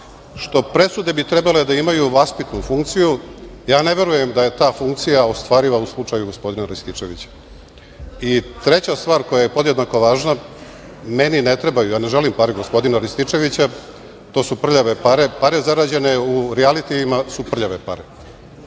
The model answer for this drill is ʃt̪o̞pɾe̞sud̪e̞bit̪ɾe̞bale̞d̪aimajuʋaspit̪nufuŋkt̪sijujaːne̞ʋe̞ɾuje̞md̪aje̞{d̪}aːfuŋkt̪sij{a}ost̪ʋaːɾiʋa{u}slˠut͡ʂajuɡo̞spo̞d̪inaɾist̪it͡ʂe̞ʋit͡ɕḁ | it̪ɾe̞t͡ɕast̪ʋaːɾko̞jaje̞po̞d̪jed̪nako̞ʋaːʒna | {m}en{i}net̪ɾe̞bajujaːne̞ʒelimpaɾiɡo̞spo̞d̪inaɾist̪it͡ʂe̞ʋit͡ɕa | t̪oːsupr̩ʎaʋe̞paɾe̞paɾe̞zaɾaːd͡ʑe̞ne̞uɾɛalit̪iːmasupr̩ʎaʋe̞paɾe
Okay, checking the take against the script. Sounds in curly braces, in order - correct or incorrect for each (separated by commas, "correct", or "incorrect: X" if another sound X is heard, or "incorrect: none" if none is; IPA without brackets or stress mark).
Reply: incorrect: t̪, correct, correct, correct, correct